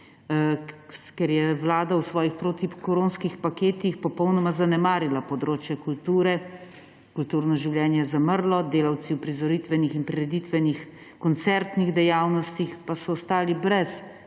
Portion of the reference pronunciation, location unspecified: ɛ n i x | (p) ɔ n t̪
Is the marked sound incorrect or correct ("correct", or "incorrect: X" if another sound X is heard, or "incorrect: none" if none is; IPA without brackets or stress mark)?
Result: incorrect: k